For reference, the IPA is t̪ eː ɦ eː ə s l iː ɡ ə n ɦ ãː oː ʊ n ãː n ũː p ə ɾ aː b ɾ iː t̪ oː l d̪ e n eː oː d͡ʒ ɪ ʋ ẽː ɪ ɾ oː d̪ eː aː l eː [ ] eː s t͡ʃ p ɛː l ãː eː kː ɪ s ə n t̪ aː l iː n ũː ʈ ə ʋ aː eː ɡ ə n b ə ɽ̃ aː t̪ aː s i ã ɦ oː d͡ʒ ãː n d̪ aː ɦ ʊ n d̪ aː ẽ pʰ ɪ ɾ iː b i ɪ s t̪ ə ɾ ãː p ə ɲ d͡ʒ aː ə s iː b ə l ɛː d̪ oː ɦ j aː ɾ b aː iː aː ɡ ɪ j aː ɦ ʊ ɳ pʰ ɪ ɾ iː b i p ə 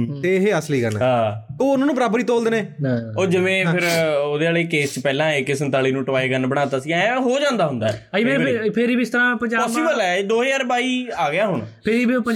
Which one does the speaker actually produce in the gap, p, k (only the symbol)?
k